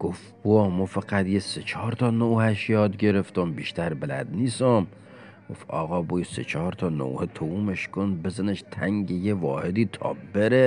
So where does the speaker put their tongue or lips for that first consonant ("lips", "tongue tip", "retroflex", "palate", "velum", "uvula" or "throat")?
velum